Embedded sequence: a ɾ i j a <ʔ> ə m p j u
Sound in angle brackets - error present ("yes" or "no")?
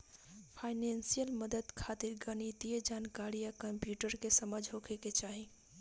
yes